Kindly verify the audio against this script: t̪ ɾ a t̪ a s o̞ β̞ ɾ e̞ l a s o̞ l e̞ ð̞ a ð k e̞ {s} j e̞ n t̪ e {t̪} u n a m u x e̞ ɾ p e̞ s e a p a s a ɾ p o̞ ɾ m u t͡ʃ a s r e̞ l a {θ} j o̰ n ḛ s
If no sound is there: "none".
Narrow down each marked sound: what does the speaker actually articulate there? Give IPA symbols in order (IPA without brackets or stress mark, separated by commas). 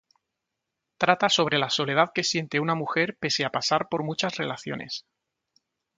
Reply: s, none, θ